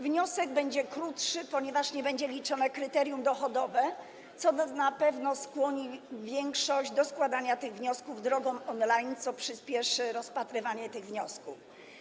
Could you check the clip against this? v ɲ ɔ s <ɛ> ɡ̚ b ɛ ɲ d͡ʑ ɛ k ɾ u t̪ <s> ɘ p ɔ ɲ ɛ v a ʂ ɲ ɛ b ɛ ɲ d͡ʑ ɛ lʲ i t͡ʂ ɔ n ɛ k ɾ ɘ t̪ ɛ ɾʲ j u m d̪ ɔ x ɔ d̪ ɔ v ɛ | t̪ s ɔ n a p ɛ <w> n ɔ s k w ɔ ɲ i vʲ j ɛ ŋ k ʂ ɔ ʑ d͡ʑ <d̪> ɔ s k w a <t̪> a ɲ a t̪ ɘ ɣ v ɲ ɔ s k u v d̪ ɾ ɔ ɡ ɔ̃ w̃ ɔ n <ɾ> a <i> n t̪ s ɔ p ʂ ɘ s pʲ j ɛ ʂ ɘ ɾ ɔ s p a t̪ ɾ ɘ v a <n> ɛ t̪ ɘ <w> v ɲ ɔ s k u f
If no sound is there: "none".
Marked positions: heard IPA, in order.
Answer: ɛ, ʂ, v, d̪, d̪, l, j, ɲ, ɣ

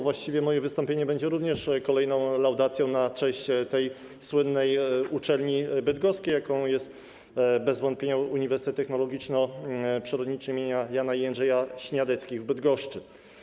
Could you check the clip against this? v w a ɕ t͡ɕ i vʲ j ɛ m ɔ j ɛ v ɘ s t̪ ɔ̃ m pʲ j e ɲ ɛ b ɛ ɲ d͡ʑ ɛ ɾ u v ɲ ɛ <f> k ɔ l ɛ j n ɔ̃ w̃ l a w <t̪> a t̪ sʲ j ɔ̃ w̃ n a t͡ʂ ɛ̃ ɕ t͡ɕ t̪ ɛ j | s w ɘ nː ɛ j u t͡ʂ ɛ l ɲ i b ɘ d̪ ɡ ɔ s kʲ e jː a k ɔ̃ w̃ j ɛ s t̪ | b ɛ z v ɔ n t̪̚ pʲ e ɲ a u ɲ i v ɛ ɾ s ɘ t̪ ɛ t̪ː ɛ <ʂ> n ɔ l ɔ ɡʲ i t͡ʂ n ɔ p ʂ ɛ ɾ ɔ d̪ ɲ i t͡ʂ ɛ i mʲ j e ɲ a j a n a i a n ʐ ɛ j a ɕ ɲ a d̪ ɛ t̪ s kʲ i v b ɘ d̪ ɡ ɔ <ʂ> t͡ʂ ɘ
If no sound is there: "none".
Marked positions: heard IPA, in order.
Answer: ʂ, d̪, x, ʂ

